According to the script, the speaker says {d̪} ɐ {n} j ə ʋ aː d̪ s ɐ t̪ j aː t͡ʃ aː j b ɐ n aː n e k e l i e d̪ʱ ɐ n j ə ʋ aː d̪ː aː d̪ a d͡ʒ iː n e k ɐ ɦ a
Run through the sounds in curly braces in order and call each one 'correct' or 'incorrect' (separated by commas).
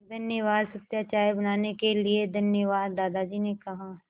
correct, correct